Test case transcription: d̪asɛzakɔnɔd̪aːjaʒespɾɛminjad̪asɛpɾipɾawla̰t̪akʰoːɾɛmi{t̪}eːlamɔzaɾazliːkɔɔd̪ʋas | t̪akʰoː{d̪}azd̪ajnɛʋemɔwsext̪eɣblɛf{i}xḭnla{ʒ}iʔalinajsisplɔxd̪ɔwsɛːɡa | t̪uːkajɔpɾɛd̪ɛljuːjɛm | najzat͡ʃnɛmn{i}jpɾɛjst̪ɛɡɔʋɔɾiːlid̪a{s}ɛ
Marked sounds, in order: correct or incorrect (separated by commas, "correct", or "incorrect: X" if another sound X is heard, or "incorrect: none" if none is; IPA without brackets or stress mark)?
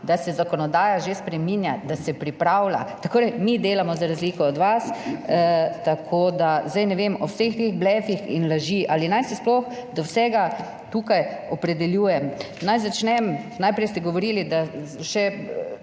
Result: incorrect: d̪, correct, correct, correct, incorrect: a, incorrect: ʃ